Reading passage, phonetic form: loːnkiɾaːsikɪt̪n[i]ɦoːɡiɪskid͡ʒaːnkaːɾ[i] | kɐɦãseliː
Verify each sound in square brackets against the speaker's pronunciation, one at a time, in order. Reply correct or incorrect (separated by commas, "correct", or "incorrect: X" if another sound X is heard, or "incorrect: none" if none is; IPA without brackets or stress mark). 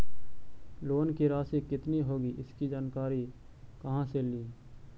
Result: correct, correct